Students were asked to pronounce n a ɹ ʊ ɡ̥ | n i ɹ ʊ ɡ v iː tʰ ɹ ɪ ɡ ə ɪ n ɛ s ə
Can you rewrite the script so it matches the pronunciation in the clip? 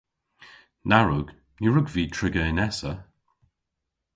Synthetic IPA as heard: n a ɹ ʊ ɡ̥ | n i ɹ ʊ ɡ v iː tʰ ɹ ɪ ɡ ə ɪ n ɛ s ə